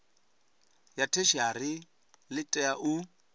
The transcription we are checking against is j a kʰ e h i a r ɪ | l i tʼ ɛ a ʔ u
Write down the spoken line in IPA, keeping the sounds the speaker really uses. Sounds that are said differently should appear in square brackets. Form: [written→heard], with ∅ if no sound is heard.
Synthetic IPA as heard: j a [kʰ→tʰ] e [h→ʃ] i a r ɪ | l [i→ɪ] tʼ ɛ a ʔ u